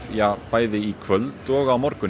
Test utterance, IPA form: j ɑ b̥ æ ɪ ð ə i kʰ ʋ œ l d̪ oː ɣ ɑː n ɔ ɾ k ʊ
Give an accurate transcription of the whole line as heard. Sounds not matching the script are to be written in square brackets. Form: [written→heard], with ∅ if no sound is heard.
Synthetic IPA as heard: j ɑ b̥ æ ɪ ð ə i kʰ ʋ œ l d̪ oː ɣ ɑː [n→m] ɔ ɾ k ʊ